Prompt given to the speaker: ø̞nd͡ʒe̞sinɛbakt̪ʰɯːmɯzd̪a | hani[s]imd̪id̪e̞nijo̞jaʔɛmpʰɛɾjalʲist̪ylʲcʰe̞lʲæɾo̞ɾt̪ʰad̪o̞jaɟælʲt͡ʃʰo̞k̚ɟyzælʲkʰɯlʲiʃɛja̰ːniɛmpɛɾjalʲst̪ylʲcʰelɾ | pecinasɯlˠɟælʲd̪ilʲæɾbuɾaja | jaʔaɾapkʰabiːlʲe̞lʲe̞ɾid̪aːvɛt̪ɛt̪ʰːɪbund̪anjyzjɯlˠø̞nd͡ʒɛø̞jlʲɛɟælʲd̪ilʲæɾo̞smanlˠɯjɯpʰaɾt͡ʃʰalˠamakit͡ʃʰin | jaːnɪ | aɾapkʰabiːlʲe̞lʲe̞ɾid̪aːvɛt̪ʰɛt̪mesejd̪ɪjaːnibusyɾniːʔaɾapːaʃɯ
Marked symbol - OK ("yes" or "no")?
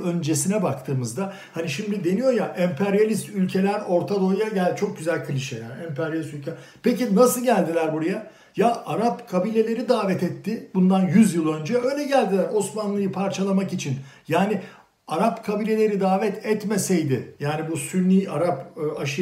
no